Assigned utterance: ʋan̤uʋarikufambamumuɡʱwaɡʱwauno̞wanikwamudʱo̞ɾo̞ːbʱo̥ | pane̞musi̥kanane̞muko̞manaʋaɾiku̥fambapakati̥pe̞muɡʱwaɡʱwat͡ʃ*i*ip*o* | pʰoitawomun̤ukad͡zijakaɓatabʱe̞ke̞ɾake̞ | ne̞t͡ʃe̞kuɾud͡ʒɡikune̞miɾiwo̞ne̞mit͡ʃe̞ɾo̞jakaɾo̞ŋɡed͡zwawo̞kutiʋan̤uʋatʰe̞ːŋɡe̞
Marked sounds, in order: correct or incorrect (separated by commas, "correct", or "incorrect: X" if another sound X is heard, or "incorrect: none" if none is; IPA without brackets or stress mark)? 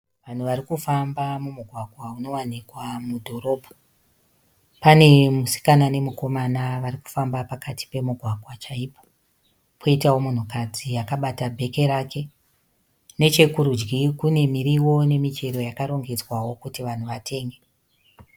incorrect: a, correct